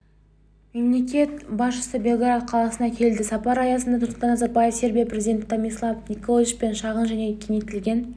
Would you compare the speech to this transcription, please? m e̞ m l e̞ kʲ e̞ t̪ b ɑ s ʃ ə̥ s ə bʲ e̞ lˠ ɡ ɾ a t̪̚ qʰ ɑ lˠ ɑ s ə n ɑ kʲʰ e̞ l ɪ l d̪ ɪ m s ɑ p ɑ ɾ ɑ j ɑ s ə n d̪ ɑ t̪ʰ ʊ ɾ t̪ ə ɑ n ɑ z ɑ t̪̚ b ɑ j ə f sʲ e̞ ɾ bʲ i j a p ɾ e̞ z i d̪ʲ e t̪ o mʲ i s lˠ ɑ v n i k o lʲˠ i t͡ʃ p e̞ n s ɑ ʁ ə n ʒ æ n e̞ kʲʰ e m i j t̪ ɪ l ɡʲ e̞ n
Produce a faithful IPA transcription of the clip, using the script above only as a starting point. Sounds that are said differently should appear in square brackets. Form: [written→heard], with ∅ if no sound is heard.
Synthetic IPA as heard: m e̞ m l e̞ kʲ e̞ t̪ b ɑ s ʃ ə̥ s ə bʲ e̞ lˠ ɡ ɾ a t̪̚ qʰ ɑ lˠ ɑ s ə n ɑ kʲʰ e̞ l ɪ l d̪ ɪ [m→∅] s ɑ p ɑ ɾ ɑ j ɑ s ə n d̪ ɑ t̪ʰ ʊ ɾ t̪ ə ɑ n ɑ z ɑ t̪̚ b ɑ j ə f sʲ e̞ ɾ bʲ i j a p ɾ e̞ z i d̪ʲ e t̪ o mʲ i s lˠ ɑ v n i k o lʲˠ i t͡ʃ p e̞ n [s→ʃ] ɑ ʁ ə n ʒ æ n e̞ kʲʰ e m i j t̪ ɪ l ɡʲ e̞ n

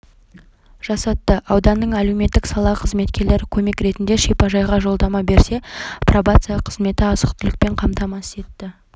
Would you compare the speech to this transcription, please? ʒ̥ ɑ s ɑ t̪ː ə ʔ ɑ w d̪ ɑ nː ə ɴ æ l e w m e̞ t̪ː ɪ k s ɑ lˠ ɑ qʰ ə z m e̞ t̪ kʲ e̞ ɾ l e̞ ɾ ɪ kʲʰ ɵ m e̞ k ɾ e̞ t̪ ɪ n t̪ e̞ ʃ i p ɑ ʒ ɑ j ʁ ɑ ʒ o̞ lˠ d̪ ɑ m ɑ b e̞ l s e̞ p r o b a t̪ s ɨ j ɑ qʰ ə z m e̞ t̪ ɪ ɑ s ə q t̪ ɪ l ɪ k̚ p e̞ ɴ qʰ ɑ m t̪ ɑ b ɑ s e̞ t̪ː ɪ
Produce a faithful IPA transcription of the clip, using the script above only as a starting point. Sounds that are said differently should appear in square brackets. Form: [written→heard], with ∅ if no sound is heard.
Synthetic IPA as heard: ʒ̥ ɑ s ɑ t̪ː ə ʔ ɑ w d̪ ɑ nː ə ɴ æ l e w m e̞ t̪ː ɪ k s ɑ lˠ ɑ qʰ ə z m e̞ t̪ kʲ e̞ ɾ l e̞ ɾ ɪ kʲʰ ɵ m e̞ k ɾ e̞ t̪ ɪ n [t̪→d̪] e̞ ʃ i p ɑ ʒ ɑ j ʁ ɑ ʒ o̞ lˠ d̪ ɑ m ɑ b e̞ [l→ɾ] s e̞ p r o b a t̪ s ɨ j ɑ qʰ ə z m e̞ t̪ ɪ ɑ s ə q t̪ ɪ l ɪ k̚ p e̞ ɴ qʰ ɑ m t̪ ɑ [b→m] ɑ s e̞ t̪ː ɪ

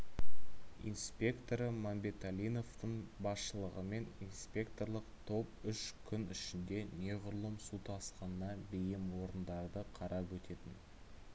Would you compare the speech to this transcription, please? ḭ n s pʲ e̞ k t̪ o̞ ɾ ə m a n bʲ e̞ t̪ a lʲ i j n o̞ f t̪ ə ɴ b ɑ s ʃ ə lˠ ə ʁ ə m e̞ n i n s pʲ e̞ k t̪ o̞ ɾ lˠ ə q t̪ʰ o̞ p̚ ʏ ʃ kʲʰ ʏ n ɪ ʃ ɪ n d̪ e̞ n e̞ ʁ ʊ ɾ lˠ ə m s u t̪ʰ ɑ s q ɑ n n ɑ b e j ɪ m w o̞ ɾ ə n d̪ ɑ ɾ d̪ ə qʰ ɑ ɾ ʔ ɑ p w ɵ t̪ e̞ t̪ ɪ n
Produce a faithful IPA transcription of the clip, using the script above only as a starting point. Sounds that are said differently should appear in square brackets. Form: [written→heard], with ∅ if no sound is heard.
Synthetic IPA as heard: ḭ n s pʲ e̞ k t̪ o̞ ɾ ə m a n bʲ e̞ t̪ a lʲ i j n o̞ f t̪ ə ɴ b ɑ s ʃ ə lˠ ə ʁ ə m e̞ n i n s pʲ e̞ k t̪ o̞ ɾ lˠ ə q t̪ʰ o̞ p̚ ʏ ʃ kʲʰ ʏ n ɪ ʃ ɪ n d̪ e̞ n e̞ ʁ ʊ ɾ lˠ ə m s u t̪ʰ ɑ s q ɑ n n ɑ b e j ɪ m w o̞ ɾ ə n d̪ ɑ ɾ d̪ ə qʰ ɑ ɾ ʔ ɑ p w ɵ t̪ e̞ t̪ ɪ n

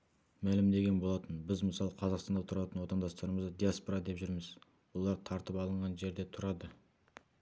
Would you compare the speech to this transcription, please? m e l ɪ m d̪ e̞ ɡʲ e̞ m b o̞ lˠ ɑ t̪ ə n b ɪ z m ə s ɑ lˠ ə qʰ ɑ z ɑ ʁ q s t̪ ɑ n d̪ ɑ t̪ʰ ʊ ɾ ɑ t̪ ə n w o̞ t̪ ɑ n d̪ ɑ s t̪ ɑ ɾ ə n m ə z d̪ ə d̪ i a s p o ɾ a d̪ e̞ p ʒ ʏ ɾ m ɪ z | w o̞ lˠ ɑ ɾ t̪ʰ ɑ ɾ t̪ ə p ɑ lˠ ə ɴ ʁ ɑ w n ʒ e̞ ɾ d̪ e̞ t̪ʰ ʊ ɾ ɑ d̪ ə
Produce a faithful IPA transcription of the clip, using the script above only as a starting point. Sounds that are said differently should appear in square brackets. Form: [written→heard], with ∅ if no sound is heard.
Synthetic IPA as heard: m [e→æ] l ɪ m d̪ e̞ ɡʲ e̞ [m→n] b o̞ lˠ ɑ t̪ ə n b ɪ z m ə s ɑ lˠ ə qʰ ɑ z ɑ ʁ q s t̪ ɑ n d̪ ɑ t̪ʰ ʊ ɾ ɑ t̪ ə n w o̞ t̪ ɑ n d̪ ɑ s t̪ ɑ ɾ ə [n→∅] m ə z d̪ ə d̪ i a s p o ɾ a d̪ e̞ p ʒ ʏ ɾ m ɪ z | w o̞ lˠ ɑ ɾ t̪ʰ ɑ ɾ t̪ ə p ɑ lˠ ə ɴ ʁ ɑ [w→∅] n ʒ e̞ ɾ d̪ e̞ t̪ʰ ʊ ɾ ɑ d̪ ə

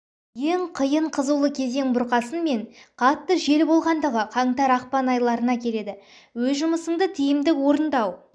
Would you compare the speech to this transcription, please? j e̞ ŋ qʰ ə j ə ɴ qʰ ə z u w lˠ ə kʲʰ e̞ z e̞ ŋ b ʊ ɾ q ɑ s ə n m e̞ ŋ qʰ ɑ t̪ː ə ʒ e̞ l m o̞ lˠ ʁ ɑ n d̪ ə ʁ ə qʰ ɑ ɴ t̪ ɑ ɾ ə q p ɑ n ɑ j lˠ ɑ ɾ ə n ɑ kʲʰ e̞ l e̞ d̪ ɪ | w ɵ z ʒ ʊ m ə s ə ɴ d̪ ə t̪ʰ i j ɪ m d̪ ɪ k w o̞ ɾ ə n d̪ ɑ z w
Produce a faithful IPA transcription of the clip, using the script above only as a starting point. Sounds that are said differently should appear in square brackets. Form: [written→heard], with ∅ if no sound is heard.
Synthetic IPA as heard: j e̞ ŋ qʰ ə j ə ɴ qʰ ə z u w lˠ ə kʲʰ e̞ z e̞ ŋ b ʊ ɾ q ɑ s ə n m e̞ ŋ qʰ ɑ t̪ː ə ʒ e̞ l [m→b] o̞ lˠ ʁ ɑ n d̪ ə ʁ ə qʰ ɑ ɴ t̪ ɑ ɾ [ə→ɑ] q p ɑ n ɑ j lˠ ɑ ɾ ə n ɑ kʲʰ e̞ l e̞ d̪ ɪ | w ɵ z ʒ ʊ m ə s ə ɴ d̪ ə t̪ʰ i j ɪ m d̪ ɪ k w o̞ ɾ ə n d̪ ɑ [z→∅] w

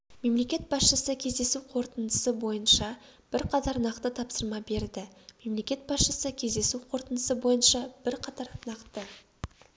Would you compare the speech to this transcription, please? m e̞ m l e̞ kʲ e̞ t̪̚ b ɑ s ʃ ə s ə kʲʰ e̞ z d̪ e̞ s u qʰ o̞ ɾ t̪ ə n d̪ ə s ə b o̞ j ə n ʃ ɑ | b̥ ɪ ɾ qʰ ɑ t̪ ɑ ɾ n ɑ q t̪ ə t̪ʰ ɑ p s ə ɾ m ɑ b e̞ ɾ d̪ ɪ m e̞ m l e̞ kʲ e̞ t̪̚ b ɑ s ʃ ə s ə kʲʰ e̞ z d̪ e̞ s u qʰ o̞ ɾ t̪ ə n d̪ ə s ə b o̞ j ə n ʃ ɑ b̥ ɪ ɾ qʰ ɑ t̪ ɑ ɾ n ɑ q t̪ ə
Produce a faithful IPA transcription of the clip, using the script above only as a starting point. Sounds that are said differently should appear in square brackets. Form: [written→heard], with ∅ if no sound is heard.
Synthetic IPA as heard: m e̞ m l e̞ kʲ e̞ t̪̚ b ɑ s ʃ ə s ə kʲʰ e̞ z d̪ e̞ s u qʰ o̞ ɾ t̪ ə n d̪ ə s ə b o̞ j ə n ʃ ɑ | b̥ ɪ ɾ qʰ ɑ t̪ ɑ ɾ n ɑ q t̪ ə t̪ʰ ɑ p s ə ɾ m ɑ b e̞ ɾ d̪ ɪ m e̞ m l e̞ kʲ e̞ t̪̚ b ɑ s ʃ ə s ə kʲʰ e̞ z d̪ e̞ s u qʰ o̞ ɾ t̪ ə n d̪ ə s ə b o̞ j ə n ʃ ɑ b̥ ɪ ɾ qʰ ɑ t̪ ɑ ɾ n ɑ q t̪ ə

